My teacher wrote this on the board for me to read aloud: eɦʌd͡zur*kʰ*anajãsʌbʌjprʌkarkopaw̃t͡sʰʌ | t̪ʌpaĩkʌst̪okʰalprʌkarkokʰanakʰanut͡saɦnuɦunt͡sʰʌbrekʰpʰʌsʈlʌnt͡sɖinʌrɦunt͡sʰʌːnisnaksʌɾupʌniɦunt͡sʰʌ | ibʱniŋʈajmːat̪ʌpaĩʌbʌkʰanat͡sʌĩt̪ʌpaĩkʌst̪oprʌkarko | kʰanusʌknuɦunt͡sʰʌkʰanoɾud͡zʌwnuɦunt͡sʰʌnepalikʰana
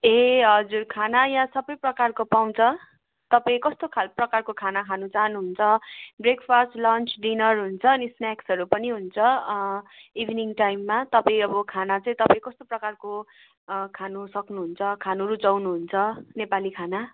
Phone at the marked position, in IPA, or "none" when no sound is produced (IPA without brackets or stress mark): kʰ